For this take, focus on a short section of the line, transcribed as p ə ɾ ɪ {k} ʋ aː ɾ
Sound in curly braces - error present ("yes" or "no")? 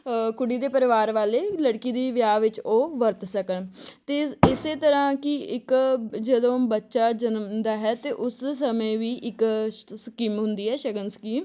yes